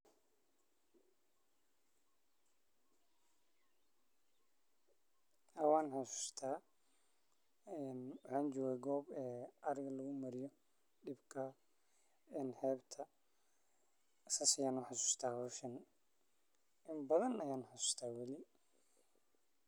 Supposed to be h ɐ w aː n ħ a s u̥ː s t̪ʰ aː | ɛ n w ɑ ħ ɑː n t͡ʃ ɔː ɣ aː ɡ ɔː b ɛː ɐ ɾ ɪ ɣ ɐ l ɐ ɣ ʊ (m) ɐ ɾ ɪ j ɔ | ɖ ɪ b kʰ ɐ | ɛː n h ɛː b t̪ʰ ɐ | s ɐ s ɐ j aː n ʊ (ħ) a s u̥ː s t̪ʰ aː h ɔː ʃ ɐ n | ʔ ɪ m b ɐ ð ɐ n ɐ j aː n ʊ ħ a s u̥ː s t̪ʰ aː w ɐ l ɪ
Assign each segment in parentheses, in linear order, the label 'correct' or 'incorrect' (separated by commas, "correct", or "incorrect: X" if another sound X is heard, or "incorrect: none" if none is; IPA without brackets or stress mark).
correct, correct